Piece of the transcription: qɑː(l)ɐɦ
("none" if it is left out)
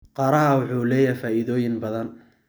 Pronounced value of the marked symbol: ɾ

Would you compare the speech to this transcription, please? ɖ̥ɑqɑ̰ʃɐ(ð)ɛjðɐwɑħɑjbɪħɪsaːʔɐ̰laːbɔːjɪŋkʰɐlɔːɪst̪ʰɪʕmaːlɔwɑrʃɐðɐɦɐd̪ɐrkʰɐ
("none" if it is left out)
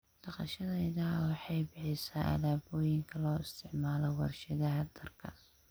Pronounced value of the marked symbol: ð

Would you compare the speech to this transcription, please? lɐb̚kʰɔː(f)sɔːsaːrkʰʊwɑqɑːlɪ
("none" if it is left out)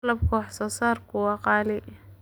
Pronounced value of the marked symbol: ħ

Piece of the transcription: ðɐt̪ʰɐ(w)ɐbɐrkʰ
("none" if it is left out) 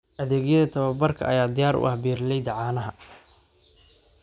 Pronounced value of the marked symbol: β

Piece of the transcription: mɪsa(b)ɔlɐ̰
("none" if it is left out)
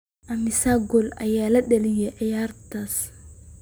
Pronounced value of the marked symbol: ɡ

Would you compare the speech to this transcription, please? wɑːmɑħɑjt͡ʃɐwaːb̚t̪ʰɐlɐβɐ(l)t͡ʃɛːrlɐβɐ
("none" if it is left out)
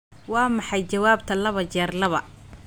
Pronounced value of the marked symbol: none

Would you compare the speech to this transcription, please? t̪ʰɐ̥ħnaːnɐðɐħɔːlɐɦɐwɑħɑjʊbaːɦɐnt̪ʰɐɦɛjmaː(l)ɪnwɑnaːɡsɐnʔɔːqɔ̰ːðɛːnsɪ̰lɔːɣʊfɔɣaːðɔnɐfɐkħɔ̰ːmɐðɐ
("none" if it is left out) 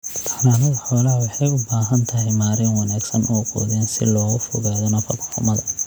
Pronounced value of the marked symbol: ɾ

